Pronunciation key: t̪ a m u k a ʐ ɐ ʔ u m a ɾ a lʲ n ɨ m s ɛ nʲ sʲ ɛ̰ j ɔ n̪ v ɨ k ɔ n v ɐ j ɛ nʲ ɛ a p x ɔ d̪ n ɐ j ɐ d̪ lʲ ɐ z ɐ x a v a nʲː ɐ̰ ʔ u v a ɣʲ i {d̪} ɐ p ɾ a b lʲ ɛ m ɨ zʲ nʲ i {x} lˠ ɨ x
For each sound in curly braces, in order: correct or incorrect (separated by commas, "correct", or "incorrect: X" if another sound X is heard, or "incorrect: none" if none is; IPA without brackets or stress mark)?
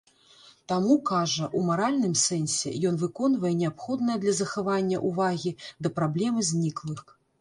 correct, incorrect: k